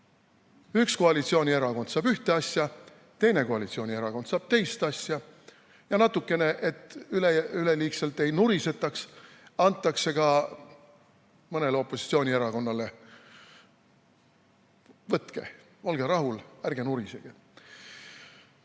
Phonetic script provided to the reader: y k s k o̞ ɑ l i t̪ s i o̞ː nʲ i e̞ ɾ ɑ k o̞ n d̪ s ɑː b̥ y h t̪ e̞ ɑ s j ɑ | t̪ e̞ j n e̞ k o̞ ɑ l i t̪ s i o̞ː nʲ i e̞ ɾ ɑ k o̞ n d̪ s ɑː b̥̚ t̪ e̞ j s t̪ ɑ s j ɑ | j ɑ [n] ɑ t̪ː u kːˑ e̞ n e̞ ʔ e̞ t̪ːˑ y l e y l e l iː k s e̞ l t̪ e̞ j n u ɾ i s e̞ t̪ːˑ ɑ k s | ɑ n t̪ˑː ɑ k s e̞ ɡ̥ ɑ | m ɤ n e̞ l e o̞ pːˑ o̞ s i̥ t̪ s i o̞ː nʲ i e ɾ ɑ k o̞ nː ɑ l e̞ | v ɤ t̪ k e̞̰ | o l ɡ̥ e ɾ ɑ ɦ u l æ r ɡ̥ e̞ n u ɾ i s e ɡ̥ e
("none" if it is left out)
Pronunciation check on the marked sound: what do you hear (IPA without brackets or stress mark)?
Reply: n